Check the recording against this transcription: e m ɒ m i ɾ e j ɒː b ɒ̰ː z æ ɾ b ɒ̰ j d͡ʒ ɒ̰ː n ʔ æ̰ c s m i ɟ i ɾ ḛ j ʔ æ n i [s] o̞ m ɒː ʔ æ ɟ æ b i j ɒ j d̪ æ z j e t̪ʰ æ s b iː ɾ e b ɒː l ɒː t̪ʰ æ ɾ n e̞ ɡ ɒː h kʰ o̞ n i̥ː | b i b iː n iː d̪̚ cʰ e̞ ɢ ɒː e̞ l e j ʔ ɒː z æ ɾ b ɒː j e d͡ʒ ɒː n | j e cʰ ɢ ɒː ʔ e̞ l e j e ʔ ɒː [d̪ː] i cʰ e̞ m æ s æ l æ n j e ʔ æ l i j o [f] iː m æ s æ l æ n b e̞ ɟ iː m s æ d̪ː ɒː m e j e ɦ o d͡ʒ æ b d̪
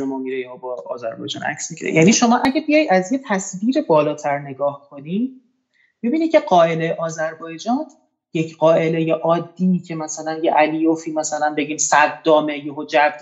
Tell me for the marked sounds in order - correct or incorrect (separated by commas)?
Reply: incorrect, correct, correct